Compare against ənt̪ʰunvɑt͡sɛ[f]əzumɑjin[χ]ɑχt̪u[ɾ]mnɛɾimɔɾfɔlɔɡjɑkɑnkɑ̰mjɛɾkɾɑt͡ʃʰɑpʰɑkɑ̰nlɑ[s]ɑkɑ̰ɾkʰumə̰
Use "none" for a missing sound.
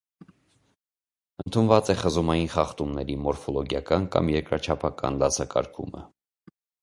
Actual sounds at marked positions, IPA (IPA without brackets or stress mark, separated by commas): χ, χ, none, s